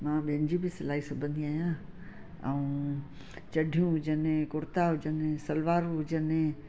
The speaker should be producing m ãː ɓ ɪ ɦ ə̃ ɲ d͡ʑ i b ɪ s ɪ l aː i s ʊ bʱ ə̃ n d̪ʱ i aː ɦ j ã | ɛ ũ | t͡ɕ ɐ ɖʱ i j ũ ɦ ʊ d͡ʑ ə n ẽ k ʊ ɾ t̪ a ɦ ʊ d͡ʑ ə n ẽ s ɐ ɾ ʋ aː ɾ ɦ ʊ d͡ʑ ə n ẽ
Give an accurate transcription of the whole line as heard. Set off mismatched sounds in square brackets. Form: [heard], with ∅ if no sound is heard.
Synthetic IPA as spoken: m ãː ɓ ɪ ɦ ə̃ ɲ d͡ʑ i b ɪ s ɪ l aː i s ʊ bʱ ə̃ n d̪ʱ i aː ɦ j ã | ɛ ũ | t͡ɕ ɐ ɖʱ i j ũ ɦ ʊ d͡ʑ ə n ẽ k ʊ ɾ t̪ a ɦ ʊ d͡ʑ ə n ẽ s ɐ [l] ʋ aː ɾ ɦ ʊ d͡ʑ ə n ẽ